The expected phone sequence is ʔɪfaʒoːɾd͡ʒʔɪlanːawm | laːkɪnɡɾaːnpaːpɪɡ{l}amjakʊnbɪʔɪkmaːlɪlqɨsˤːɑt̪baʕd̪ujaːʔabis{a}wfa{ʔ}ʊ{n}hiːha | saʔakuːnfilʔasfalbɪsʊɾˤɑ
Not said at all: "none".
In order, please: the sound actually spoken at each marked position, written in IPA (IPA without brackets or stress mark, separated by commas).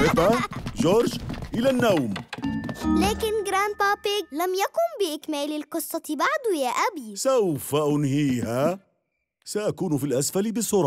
l, a, ʔ, n